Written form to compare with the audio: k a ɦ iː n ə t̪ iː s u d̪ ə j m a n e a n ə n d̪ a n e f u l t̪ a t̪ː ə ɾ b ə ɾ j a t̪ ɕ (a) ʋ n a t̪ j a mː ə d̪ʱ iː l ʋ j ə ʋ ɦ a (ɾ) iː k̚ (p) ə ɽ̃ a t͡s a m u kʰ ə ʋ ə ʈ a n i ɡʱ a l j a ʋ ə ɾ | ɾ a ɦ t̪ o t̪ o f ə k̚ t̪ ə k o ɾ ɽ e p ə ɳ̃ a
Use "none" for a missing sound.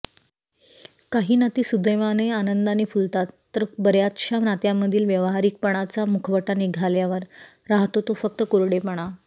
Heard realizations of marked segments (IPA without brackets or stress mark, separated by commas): a, ɾ, p